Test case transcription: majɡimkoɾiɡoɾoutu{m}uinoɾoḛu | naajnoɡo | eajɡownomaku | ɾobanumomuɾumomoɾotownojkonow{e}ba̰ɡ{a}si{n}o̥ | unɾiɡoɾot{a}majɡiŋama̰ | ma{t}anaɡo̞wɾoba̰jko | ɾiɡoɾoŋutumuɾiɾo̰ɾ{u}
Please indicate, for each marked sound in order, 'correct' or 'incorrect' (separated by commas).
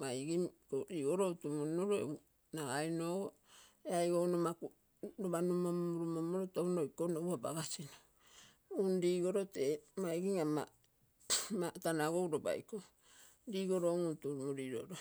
correct, incorrect, correct, correct, incorrect, correct, incorrect